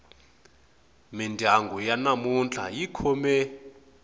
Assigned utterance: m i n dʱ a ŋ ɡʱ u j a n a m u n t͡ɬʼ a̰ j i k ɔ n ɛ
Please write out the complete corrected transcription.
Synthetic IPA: m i n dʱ a ŋ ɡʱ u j a n a m u n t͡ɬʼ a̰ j i kʰ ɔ m ɛ